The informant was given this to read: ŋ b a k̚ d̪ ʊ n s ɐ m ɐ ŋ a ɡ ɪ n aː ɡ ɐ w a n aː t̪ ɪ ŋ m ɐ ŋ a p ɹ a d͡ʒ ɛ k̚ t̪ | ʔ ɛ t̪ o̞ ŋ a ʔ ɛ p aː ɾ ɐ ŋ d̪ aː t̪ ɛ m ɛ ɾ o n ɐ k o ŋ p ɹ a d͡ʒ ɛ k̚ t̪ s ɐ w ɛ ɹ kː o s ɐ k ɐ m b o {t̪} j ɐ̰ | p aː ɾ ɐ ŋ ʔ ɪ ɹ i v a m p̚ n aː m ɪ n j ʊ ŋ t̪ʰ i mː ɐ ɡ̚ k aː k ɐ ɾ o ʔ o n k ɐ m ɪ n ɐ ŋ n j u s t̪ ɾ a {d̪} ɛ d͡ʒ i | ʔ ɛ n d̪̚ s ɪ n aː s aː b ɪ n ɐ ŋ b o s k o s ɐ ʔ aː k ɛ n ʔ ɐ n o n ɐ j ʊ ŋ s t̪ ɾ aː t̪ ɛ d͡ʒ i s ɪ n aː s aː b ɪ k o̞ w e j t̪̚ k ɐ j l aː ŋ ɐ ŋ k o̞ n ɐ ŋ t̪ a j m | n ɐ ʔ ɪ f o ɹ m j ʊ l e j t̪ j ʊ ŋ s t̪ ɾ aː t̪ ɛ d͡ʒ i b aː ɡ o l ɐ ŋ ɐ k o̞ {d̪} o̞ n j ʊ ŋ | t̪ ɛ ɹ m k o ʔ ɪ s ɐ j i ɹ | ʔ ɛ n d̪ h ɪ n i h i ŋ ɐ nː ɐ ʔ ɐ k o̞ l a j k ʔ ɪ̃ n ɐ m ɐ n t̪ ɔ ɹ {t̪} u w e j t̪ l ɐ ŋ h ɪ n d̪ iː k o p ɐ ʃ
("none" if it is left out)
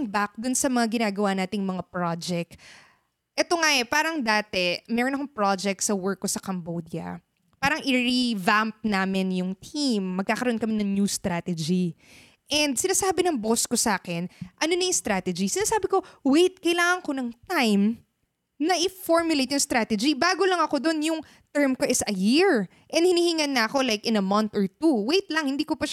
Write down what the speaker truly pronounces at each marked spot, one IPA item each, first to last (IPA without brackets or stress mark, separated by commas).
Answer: d̪, t̪, d̪, t̪